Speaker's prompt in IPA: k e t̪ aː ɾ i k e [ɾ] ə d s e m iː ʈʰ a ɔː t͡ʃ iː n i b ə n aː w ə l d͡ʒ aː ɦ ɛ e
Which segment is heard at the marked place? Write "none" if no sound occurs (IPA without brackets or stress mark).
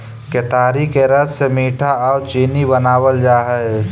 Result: ɾ